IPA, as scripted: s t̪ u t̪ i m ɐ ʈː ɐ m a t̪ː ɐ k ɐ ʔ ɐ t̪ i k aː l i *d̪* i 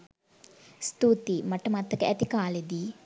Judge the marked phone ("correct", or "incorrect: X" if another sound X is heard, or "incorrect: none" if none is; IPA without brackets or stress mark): correct